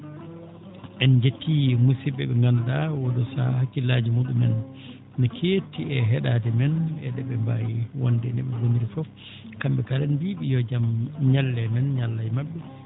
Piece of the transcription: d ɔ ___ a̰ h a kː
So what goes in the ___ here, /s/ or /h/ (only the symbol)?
s